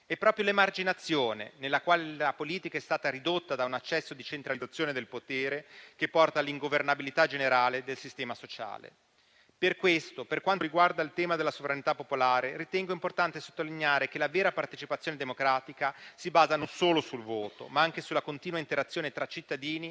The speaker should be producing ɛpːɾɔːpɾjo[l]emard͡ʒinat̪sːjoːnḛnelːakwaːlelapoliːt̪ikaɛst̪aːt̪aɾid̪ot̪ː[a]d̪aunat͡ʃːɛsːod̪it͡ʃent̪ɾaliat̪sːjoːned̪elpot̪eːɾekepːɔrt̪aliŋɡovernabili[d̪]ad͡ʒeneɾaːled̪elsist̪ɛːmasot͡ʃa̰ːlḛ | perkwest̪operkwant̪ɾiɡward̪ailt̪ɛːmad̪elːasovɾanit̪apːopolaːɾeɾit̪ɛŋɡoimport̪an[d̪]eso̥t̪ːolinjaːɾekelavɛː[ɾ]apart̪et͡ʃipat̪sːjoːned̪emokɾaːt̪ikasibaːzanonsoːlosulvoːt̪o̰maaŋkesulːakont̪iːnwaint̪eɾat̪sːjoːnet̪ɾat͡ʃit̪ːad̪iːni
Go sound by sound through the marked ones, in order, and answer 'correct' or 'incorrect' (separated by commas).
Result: correct, correct, incorrect, incorrect, correct